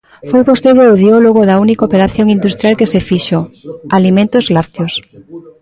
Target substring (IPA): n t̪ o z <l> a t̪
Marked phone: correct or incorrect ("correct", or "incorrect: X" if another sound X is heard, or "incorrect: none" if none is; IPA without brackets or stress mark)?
correct